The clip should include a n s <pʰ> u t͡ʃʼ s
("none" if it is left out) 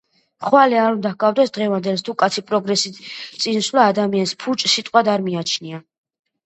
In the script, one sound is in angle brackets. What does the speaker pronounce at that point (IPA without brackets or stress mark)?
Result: pʰ